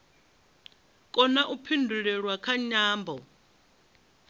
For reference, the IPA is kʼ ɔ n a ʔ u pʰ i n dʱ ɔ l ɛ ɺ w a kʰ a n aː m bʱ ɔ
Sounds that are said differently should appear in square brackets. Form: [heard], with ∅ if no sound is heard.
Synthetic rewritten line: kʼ ɔ n a ʔ u pʰ i n dʱ [u] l ɛ ɺ w a kʰ a [ɲ] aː m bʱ ɔ